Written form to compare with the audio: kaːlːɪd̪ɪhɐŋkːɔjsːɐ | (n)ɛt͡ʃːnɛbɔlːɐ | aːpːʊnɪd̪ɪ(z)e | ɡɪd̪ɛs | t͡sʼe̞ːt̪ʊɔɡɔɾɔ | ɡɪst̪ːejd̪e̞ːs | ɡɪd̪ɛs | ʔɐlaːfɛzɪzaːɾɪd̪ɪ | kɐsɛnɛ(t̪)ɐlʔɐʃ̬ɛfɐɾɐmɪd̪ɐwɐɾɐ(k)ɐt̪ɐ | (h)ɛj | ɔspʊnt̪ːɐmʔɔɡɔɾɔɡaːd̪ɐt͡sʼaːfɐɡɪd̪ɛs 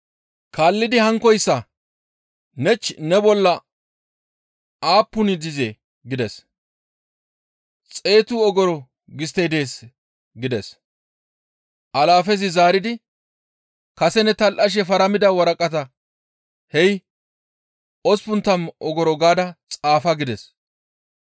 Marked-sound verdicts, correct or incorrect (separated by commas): correct, correct, correct, incorrect, correct